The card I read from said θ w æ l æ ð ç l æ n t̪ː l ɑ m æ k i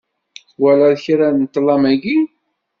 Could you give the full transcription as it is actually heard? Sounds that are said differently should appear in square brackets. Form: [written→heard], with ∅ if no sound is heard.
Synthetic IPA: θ w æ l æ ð ç [l→ɾ] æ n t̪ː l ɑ m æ [k→ɡ] i